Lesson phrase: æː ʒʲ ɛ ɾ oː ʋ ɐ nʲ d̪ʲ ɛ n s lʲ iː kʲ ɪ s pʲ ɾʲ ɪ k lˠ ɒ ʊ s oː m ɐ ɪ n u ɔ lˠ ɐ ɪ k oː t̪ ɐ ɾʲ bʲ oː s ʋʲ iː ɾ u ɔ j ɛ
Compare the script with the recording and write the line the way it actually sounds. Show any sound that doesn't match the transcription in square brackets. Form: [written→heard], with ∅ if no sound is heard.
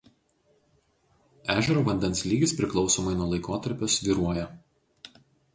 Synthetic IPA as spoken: æː ʒʲ ɛ ɾ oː ʋ ɐ nʲ d̪ʲ ɛ n s lʲ iː [kʲ→ɡʲ] ɪ s pʲ ɾʲ ɪ k lˠ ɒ ʊ s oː m ɐ ɪ n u ɔ lˠ ɐ ɪ k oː t̪ ɐ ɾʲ [bʲ→pʲ] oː s ʋʲ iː ɾ u ɔ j ɛ